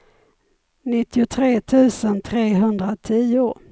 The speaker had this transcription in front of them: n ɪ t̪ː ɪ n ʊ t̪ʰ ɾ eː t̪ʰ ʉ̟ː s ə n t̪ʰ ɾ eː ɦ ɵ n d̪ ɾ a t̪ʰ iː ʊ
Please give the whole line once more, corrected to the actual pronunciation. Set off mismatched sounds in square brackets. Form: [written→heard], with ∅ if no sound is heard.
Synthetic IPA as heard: n ɪ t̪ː ɪ [n→∅] ʊ t̪ʰ ɾ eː t̪ʰ ʉ̟ː s ə n t̪ʰ ɾ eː ɦ ɵ n d̪ ɾ a t̪ʰ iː ʊ

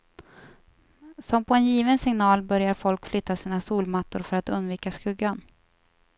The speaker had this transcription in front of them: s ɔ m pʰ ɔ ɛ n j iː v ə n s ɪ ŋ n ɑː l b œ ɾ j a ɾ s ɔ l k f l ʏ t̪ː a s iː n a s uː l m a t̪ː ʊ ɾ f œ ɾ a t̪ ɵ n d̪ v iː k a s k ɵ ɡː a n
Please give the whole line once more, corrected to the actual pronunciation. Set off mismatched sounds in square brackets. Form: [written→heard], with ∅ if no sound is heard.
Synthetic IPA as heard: s ɔ m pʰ ɔ ɛ n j iː v ə n s ɪ ŋ n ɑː l b œ ɾ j a ɾ [s→f] ɔ l k f l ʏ t̪ː a s iː n a s uː l m a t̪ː ʊ ɾ f œ ɾ a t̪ ɵ n d̪ v iː k a s k ɵ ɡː a n

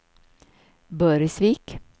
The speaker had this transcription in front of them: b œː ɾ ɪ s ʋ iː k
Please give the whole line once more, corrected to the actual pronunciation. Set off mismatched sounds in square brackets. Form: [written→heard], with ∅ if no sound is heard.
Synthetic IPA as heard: b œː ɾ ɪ s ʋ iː k

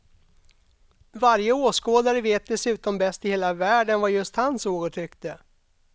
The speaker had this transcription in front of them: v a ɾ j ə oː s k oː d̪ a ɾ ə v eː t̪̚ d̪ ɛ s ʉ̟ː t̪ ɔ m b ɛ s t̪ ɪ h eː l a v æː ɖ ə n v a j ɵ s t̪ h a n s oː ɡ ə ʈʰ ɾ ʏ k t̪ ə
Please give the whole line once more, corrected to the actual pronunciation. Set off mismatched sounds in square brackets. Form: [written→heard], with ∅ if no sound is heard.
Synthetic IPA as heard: v a ɾ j ə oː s k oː d̪ a ɾ ə v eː t̪̚ d̪ ɛ s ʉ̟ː t̪ ɔ m b ɛ s t̪ ɪ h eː l a v æː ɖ ə n v a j ɵ s t̪ h a n s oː ɡ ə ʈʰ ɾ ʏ k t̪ ə

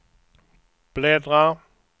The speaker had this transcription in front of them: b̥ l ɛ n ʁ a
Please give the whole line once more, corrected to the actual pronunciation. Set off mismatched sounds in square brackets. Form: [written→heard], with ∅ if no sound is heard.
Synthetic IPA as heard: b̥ l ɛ [n→d] ʁ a

